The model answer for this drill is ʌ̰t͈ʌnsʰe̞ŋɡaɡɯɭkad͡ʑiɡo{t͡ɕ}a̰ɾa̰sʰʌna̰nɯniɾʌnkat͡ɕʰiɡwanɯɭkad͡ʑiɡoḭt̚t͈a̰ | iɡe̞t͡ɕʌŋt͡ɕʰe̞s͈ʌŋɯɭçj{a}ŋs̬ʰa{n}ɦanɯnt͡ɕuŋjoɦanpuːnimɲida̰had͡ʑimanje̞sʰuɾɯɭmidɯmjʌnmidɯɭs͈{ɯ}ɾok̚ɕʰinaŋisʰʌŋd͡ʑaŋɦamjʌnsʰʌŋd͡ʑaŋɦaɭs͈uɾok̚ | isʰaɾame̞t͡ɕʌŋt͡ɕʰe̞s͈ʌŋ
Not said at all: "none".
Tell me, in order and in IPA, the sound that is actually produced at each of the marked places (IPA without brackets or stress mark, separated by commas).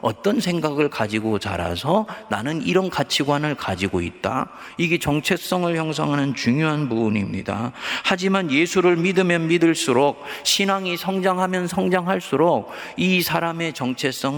t͡ɕ, ʌ, ŋ, u